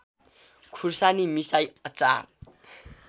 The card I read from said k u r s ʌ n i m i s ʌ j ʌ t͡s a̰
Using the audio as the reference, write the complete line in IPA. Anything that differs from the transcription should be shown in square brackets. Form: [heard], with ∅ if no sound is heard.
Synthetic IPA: [kʰ] u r s [a] n i m i s [a] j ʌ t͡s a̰